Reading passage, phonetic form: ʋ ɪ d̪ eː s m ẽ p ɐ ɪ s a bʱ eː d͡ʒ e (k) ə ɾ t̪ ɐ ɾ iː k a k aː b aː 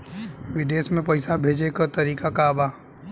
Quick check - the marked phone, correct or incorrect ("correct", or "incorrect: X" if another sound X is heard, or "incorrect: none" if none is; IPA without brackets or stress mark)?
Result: correct